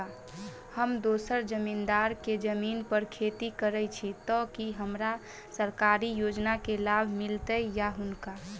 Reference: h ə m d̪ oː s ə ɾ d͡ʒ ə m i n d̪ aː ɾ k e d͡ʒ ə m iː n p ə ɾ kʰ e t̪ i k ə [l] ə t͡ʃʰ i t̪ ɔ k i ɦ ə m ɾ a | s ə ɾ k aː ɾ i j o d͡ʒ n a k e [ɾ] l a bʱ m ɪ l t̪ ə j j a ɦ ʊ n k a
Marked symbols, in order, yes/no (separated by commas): no, no